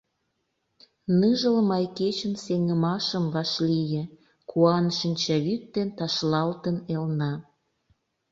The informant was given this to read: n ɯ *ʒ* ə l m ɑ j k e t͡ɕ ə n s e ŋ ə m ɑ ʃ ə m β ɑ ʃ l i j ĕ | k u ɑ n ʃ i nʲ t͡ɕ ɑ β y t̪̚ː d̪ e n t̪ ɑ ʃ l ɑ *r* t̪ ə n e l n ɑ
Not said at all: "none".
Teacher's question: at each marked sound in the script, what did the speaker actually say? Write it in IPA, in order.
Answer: ʒ, l

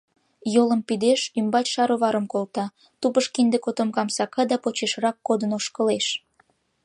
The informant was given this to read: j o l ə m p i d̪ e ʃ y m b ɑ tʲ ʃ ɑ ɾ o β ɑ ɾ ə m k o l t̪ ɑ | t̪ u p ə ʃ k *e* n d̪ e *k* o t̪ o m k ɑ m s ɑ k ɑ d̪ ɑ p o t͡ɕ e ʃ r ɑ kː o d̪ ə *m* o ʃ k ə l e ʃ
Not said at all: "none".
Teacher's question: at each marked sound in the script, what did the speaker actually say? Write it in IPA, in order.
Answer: i, k, n

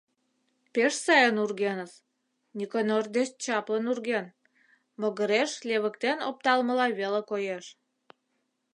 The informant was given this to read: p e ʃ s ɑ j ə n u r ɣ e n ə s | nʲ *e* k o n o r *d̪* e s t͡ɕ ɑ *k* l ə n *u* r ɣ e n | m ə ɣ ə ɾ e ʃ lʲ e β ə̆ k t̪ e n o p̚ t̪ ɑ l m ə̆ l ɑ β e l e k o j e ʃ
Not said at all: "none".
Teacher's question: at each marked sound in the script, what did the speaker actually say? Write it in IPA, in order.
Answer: i, d̪, p, u

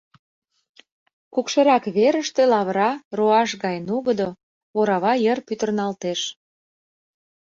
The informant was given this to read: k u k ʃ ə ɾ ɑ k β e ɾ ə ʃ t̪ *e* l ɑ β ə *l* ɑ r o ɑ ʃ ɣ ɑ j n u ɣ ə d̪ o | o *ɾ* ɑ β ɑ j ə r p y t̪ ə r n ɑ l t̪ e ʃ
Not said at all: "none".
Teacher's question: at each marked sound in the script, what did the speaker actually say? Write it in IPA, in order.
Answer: e, ɾ, ɾ

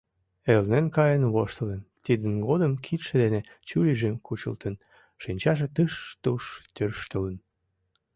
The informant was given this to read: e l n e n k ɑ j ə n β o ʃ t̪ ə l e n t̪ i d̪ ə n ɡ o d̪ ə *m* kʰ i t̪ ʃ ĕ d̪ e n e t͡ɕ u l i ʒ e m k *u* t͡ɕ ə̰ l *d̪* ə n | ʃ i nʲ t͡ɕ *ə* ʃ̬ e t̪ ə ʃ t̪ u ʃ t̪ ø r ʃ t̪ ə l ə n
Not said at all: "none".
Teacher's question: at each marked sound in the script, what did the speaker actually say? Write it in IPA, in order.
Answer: m, u, t̪, ɑ

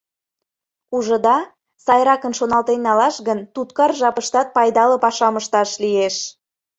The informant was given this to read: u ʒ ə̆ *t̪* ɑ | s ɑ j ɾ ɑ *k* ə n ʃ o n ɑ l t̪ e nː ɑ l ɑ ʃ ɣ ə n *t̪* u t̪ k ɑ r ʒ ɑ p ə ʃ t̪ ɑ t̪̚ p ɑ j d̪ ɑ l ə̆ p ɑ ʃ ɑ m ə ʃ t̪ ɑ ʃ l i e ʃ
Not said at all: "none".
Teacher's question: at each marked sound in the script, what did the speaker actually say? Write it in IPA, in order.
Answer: d̪, k, t̪

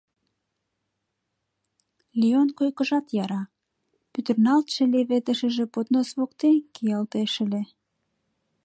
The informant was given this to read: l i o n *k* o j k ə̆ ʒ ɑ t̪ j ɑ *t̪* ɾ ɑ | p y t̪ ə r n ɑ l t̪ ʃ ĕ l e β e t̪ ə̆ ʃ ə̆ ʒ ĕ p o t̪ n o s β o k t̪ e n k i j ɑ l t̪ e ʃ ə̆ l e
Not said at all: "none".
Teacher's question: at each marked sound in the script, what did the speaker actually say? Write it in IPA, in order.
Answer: k, none

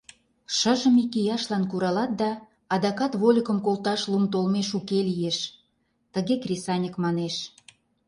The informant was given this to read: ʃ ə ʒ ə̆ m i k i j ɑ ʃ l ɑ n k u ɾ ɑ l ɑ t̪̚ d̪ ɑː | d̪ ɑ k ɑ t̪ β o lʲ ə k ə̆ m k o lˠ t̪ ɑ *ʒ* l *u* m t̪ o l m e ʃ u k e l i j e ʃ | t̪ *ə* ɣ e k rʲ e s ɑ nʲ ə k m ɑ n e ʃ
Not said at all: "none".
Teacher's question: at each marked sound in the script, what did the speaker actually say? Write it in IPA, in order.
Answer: ʃ, u, ə

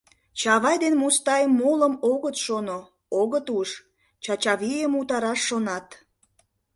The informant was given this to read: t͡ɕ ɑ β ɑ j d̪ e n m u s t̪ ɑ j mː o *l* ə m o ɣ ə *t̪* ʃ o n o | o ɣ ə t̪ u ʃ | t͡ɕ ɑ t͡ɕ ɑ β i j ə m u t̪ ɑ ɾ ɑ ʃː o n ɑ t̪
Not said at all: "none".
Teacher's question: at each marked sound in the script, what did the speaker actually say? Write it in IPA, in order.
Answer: l, t̪

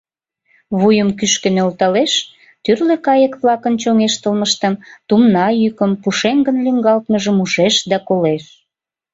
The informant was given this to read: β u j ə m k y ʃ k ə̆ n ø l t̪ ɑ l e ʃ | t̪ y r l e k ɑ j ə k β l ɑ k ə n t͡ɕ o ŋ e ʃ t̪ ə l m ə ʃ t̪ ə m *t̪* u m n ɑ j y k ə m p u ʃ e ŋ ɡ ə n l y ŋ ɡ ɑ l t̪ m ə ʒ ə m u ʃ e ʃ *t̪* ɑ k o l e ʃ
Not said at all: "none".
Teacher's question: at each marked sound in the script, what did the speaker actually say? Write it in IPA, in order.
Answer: t̪, d̪

